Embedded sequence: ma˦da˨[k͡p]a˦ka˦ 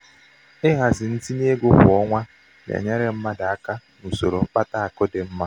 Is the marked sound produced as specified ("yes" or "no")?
no